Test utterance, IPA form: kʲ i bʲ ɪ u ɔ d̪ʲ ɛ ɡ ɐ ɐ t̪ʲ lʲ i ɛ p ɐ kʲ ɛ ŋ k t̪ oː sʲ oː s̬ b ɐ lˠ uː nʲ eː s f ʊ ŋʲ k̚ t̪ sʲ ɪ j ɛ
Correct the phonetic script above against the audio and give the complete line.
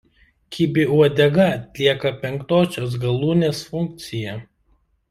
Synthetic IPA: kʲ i bʲ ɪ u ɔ d̪ʲ ɛ ɡ ɐ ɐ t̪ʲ lʲ i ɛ k ɐ pʲ ɛ ŋ k t̪ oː sʲ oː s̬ ɡ ɐ lˠ uː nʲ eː s f ʊ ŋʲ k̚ t̪ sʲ ɪ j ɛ